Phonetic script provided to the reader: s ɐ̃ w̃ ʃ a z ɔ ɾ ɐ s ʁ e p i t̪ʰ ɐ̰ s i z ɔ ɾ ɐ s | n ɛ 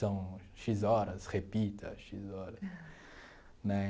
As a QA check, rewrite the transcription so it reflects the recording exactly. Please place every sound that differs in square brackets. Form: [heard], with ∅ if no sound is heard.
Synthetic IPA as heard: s ɐ̃ w̃ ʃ [i] z ɔ ɾ ɐ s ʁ e p i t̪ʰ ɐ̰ [ʃ] i z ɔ ɾ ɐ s | n ɛ